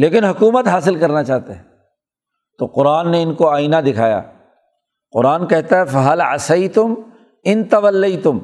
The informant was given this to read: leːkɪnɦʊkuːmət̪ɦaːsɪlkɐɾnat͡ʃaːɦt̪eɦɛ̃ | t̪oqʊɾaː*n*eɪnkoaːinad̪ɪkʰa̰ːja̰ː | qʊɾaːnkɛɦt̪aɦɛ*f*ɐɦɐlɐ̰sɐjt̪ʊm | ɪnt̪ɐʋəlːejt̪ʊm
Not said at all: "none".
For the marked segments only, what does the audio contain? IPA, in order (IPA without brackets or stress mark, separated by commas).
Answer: nː, f